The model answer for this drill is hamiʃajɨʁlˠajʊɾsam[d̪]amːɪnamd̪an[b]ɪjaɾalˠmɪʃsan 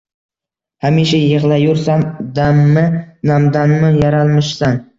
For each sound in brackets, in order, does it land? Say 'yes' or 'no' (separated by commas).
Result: yes, no